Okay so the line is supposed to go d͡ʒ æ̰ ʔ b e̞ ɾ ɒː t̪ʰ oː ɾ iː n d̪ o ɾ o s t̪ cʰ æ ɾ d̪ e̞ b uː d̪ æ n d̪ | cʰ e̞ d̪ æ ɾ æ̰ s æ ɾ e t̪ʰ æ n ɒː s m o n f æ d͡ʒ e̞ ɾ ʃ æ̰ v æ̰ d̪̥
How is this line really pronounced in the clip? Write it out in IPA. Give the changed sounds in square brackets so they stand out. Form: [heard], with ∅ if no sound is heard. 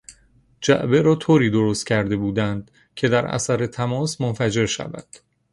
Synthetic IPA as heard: d͡ʒ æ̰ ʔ b e̞ ɾ ɒː t̪ʰ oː ɾ iː [∅] d̪ o ɾ o s t̪ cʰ æ ɾ d̪ e̞ b uː d̪ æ n d̪ | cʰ e̞ d̪ æ ɾ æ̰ s æ ɾ e t̪ʰ æ [m] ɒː s m o n f æ d͡ʒ e̞ ɾ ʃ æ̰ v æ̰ d̪̥